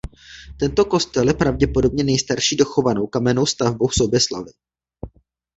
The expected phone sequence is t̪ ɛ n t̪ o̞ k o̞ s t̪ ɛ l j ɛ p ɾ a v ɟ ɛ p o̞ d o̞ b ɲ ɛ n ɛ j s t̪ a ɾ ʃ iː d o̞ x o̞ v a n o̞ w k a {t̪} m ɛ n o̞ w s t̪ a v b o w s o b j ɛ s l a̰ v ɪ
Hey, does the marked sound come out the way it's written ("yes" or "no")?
no